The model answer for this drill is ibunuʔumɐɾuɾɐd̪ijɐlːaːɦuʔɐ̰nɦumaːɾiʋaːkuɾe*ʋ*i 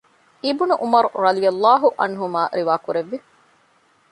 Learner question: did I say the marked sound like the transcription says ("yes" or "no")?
no